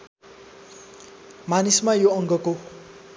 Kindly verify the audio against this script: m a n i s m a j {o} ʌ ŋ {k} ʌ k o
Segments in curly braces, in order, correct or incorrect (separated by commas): correct, incorrect